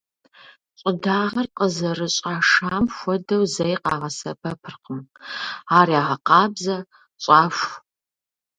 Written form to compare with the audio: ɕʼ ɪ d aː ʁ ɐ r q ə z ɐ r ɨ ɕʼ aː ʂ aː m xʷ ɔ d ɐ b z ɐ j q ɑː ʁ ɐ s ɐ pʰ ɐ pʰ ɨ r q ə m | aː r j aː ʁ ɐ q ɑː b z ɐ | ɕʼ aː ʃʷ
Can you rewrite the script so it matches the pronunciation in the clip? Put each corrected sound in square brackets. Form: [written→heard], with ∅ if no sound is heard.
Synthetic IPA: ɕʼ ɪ d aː ʁ ɐ r q ə z ɐ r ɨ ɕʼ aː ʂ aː m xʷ ɔ d ɐ [b→w] z ɐ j q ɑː ʁ ɐ s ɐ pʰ ɐ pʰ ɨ r q ə m | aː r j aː ʁ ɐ q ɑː b z ɐ | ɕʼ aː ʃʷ